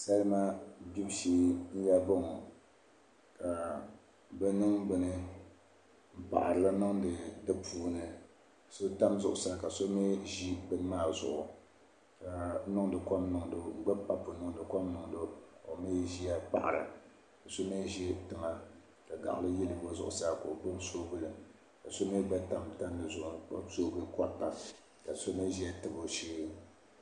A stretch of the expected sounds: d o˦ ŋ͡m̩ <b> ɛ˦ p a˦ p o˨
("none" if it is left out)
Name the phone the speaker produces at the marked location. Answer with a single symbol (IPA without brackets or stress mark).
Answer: ɡ͡b